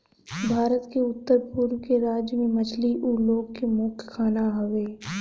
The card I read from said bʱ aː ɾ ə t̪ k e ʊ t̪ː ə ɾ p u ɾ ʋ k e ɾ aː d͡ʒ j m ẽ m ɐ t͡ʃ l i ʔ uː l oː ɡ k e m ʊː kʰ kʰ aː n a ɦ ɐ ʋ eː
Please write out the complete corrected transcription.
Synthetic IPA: bʱ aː ɾ ə t̪ k e ʊ t̪ː ə ɾ p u ɾ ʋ k e ɾ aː d͡ʒ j m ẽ m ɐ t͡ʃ l i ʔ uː l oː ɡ k e m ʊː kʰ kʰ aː n a ɦ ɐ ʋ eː

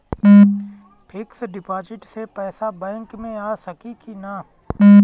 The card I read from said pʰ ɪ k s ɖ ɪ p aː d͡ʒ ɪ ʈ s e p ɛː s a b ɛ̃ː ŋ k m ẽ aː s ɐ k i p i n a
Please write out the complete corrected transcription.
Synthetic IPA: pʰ ɪ k s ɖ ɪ p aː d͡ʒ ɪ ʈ s e p ɛː s a b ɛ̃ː ŋ k m ẽ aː s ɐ k i k i n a

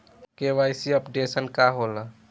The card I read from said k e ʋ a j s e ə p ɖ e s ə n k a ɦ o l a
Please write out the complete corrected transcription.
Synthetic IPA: k e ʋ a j s i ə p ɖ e s ə n k a ɦ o l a

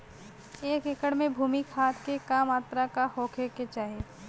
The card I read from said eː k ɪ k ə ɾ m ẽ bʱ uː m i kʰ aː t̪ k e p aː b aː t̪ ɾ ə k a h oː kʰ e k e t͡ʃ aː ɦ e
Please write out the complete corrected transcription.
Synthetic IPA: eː k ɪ k ə ɽ m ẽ bʱ uː m i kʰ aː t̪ k e k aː m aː t̪ ɾ a k a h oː kʰ e k e t͡ʃ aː ɦ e

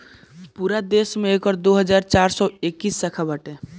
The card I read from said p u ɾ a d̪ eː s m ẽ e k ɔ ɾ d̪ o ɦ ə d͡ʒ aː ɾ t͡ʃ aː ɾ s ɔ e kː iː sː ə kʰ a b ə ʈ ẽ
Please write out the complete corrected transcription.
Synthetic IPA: p u ɾ a d̪ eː s m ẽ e k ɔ ɾ d̪ o ɦ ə d͡ʒ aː ɾ t͡ʃ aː ɾ s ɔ e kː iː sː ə kʰ a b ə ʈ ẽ

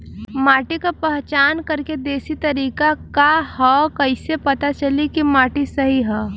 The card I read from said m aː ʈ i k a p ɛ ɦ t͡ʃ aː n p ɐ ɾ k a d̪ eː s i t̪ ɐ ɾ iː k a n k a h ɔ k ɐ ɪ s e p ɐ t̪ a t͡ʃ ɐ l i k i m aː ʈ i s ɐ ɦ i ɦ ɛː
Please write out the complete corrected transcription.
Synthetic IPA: m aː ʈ i k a p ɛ ɦ t͡ʃ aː n k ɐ ɾ k e d̪ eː s i t̪ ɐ ɾ iː k a k a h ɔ k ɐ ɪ s e p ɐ t̪ a t͡ʃ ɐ l i k i m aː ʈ i s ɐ ɦ i ɦ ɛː

